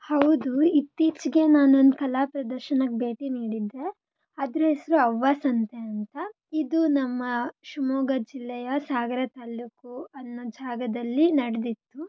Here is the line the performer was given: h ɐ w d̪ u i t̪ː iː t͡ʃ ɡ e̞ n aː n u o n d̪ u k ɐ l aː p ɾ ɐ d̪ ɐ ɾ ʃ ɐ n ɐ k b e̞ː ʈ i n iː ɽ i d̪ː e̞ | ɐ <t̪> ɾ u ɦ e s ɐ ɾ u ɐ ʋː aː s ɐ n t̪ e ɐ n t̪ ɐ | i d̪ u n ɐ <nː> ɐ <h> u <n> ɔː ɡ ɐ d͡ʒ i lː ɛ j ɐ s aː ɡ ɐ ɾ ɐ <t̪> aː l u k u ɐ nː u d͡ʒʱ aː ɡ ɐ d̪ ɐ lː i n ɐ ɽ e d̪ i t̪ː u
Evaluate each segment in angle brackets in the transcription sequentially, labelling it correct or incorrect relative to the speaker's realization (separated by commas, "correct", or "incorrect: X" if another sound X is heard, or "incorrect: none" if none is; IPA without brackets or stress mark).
incorrect: d̪, incorrect: mː, incorrect: ʃ, incorrect: m, correct